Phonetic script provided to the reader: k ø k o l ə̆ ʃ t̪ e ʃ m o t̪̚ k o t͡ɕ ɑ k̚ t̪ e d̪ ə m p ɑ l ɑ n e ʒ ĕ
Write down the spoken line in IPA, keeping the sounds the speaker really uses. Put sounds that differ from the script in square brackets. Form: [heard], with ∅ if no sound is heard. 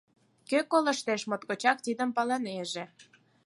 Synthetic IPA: k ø k o l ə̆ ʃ t̪ e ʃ m o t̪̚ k o t͡ɕ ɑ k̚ t̪ [i] d̪ ə m p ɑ l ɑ n e ʒ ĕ